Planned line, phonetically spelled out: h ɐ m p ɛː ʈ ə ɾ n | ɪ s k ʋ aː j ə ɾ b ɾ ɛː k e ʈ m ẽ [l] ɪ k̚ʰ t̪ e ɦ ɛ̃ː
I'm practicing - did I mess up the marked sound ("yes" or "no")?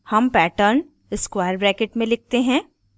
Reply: no